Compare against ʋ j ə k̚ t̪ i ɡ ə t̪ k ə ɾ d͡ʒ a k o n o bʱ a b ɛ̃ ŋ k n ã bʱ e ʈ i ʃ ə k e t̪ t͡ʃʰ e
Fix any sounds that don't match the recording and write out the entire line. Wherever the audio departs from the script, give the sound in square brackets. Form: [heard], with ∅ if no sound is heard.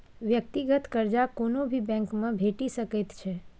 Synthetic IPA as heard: ʋ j ə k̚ t̪ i ɡ ə t̪ k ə ɾ d͡ʒ a k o n o bʱ [i] b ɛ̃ ŋ k [m] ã bʱ e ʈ i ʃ ə k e t̪ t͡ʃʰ e